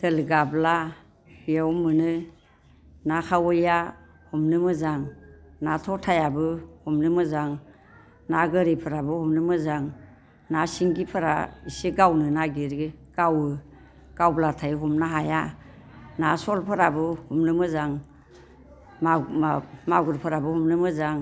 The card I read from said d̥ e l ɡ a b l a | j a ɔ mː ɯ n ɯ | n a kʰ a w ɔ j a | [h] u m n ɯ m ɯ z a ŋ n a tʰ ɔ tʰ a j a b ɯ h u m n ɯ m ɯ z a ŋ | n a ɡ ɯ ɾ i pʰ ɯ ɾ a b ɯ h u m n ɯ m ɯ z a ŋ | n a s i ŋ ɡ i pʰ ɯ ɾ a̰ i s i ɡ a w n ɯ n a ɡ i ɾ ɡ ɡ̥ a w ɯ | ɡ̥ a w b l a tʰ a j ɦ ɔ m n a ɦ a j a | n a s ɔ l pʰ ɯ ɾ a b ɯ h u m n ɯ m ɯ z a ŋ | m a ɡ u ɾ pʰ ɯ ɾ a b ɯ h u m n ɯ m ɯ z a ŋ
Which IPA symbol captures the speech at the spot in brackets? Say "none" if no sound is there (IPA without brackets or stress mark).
h